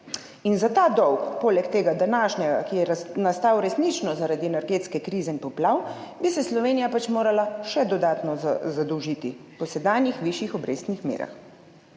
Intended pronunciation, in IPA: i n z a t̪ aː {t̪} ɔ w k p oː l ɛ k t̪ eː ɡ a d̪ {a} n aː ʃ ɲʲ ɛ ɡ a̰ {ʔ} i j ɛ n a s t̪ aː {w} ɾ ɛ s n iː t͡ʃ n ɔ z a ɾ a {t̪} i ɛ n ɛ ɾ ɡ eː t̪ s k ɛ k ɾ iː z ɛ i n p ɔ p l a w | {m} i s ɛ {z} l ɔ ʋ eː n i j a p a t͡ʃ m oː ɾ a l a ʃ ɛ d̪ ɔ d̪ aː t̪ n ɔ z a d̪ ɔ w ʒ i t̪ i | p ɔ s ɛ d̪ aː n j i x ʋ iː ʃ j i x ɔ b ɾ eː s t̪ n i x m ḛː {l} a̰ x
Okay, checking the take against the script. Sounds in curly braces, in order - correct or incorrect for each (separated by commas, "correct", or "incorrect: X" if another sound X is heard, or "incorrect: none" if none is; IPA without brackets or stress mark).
incorrect: d̪, correct, incorrect: k, correct, incorrect: d̪, incorrect: b, incorrect: s, incorrect: ɾ